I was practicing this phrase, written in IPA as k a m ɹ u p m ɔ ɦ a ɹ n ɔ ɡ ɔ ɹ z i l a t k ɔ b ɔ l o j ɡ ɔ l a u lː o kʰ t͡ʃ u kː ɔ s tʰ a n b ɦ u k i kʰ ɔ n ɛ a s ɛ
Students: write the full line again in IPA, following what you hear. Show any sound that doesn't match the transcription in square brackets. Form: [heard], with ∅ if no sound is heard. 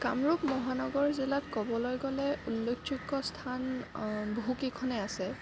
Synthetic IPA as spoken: k a m ɹ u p m ɔ ɦ a [∅] n ɔ ɡ ɔ ɹ z i l a t k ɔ b ɔ l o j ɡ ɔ l [ɛ] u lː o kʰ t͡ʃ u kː ɔ s tʰ a n b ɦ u k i kʰ ɔ n ɛ a s ɛ